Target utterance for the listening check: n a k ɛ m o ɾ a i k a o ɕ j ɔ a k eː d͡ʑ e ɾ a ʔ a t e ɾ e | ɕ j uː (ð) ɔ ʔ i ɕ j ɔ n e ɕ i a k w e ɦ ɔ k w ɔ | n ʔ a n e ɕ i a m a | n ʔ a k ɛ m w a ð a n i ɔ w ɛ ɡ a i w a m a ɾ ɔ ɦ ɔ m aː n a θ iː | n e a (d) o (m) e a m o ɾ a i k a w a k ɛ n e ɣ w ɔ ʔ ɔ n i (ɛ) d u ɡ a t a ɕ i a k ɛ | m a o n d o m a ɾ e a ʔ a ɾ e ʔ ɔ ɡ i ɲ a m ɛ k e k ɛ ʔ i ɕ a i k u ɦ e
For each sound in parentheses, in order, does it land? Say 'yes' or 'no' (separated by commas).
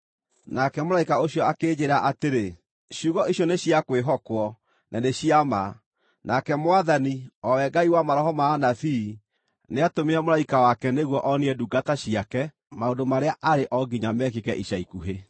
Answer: no, no, yes, yes